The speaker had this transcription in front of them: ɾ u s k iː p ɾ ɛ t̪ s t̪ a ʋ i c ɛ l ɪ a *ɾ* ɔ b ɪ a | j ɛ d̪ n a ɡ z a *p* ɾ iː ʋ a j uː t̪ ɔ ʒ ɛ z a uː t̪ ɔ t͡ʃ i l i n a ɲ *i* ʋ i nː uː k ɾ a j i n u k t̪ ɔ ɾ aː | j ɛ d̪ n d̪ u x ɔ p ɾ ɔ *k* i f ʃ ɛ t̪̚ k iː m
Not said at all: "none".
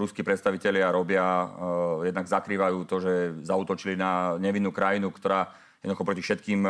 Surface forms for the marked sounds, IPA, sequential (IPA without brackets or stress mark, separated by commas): ɾ, k, ɛ, c